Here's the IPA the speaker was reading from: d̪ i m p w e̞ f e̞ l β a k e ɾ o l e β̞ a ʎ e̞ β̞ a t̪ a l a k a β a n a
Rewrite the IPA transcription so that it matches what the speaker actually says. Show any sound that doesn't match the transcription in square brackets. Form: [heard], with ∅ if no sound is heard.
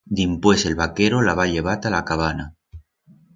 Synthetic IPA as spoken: d̪ i m p w e̞ [s] e̞ l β a k e ɾ o l [a] β̞ a ʎ e̞ β̞ a t̪ a l a k a β a n a